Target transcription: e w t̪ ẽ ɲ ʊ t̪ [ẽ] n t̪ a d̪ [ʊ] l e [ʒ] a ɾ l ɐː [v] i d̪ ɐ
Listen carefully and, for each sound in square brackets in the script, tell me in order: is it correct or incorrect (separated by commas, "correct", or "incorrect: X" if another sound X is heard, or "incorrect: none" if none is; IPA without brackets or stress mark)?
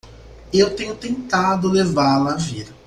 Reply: correct, correct, incorrect: v, correct